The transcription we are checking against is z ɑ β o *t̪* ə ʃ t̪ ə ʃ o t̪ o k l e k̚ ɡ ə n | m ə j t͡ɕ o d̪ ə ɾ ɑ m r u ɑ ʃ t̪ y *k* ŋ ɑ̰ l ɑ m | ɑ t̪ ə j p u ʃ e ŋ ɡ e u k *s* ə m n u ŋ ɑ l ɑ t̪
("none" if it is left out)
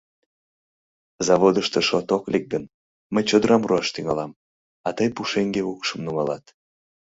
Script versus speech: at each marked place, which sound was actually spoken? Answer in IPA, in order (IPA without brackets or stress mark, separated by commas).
d̪, none, ʃ